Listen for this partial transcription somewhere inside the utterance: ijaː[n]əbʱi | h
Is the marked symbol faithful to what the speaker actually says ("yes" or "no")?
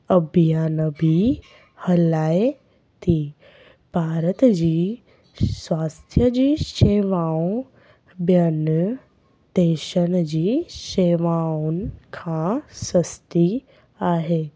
yes